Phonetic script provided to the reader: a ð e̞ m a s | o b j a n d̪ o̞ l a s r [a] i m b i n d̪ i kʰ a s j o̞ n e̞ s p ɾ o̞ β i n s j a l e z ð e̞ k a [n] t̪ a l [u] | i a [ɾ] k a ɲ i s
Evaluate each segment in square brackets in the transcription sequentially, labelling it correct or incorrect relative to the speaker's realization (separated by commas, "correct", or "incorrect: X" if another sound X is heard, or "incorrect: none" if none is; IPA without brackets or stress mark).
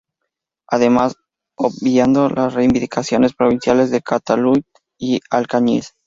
incorrect: e, incorrect: none, correct, incorrect: l